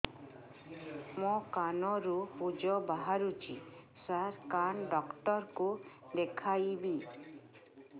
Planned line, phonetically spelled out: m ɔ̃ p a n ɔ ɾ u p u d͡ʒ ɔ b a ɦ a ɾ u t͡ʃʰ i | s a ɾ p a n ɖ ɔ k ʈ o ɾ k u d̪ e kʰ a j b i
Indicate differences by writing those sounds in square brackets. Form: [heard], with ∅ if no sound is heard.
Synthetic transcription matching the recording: m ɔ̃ [k] a n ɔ ɾ u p u d͡ʒ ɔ b a ɦ a ɾ u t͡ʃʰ i | s a ɾ [k] a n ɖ ɔ k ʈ [ɔ] ɾ k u d̪ e kʰ a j b i